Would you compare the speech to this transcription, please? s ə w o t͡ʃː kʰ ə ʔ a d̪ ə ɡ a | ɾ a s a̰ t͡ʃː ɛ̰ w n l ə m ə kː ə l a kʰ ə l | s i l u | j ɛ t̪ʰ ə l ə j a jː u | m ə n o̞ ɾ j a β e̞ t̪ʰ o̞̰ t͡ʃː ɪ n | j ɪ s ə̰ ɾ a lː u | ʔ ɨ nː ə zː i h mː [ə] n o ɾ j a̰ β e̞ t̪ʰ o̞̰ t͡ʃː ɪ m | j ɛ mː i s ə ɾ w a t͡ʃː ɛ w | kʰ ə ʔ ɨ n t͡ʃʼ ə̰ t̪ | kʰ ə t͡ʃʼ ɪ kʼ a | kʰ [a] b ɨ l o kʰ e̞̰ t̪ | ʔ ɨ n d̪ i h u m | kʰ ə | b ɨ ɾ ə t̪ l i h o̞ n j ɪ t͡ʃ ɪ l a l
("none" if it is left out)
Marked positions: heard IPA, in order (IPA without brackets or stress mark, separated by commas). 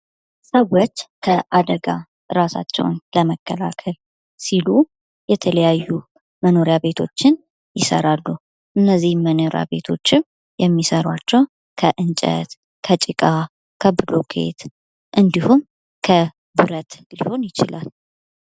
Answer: ə, ə